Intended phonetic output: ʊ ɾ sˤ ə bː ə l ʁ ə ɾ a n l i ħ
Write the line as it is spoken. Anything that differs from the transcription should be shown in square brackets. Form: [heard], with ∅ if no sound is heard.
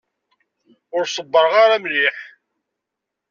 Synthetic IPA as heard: ʊ ɾ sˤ ə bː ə [ɾ] ʁ [a] ɾ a [m] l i ħ